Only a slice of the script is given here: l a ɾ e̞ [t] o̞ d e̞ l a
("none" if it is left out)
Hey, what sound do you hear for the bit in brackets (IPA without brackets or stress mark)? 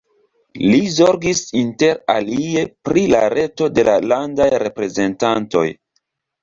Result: t